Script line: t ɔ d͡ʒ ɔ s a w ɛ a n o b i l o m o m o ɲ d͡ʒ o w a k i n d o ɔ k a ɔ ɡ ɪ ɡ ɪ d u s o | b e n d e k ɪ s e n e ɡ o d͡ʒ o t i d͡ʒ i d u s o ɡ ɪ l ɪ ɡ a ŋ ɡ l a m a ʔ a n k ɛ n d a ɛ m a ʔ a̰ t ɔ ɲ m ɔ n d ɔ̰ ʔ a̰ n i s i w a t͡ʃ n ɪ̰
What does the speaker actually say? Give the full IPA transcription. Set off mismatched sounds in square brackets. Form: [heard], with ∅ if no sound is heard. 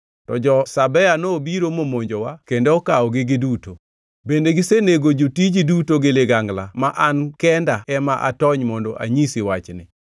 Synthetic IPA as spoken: t ɔ d͡ʒ ɔ s a [b] ɛ a n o b i [ɾ] o m o m o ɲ d͡ʒ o w a k [e] n d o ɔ k a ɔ ɡ ɪ ɡ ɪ d u [t] o | b e n d e [ɡ] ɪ s e n e ɡ o d͡ʒ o t i d͡ʒ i d u [t] o ɡ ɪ l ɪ ɡ a ŋ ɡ l a m a ʔ a n k ɛ n d a ɛ m a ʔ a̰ t ɔ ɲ m ɔ n d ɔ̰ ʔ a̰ [ɲ] i s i w a t͡ʃ n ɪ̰